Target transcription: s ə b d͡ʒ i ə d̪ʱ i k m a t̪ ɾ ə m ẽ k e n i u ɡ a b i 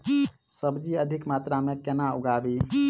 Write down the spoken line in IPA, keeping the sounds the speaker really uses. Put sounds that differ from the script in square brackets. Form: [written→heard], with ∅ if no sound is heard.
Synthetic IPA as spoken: s ə b d͡ʒ i ə d̪ʱ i k m a t̪ ɾ [ə→a] m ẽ k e n [i→a] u ɡ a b i